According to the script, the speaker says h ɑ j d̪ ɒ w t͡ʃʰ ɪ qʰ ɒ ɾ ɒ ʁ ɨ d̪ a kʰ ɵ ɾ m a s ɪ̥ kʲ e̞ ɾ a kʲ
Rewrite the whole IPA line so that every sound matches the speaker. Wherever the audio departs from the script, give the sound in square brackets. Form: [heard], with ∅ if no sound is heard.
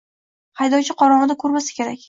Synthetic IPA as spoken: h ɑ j d̪ ɒ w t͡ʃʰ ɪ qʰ ɒ ɾ ɒ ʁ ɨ d̪ a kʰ ɵ ɾ m a s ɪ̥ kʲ e̞ ɾ a kʲ